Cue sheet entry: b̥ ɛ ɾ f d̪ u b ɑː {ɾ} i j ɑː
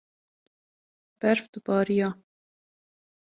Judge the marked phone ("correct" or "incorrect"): correct